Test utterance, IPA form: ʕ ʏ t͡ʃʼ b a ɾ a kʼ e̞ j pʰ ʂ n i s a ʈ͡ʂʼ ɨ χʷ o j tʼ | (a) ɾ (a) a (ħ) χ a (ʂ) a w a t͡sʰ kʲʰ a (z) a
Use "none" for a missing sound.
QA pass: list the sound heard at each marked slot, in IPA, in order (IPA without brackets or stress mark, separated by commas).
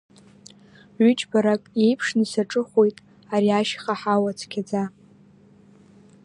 a, i, ʃ, ħ, d͡z